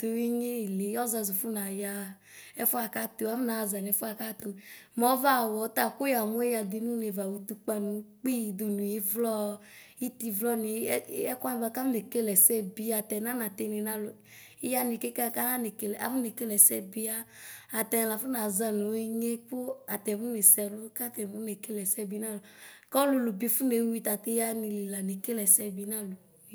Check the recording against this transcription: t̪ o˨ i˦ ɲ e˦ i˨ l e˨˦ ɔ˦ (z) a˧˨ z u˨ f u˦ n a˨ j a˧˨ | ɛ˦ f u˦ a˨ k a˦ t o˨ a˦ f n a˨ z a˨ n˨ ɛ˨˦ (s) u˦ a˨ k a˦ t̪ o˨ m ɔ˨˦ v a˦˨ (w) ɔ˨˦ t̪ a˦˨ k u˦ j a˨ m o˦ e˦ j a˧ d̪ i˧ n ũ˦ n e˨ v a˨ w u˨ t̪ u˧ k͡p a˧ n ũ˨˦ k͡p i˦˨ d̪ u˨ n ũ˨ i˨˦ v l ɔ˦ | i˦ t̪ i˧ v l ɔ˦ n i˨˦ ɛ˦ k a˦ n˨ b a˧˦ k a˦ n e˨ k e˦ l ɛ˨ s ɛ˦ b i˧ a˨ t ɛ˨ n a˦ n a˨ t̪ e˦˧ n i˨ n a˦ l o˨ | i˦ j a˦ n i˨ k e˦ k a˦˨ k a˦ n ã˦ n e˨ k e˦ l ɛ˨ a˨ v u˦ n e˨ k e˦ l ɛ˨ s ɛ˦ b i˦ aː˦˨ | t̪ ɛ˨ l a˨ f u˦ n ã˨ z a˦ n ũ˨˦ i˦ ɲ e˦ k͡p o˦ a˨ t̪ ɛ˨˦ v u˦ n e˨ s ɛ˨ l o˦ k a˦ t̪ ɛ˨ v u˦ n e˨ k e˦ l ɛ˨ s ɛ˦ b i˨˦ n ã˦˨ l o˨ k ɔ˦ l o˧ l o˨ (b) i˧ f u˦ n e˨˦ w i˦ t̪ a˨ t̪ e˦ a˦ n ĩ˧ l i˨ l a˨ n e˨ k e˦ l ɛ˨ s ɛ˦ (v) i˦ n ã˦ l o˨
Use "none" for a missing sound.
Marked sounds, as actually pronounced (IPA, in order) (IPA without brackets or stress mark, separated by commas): z, f, w, b, b